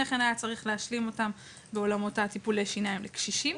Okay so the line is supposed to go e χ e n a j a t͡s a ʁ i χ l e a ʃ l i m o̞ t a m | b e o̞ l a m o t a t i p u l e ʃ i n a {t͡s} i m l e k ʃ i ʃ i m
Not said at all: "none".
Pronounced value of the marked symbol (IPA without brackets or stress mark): none